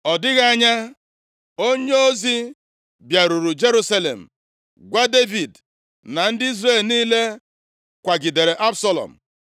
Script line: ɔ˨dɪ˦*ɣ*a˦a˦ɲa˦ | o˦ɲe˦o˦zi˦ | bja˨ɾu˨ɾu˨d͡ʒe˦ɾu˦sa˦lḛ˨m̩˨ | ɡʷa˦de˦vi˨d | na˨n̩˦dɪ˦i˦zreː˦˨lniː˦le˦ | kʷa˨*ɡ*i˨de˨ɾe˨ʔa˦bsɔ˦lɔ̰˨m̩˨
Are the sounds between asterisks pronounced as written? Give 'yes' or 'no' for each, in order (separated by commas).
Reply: yes, yes